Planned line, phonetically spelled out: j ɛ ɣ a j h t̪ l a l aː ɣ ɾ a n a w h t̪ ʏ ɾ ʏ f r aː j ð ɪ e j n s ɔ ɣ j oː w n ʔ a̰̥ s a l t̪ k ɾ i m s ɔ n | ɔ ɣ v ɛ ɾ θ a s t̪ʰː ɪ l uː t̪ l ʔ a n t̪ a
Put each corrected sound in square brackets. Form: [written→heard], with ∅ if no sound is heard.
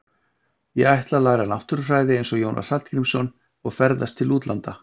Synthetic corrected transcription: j ɛ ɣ a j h t̪ l a l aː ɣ ɾ a n a w h t̪ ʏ ɾ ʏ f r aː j ð ɪ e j n s ɔ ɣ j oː w n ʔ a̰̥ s a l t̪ k ɾ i m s ɔ n | ɔ ɣ [v→f] ɛ ɾ [θ→ð] a s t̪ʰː ɪ l uː t̪ l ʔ a n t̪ a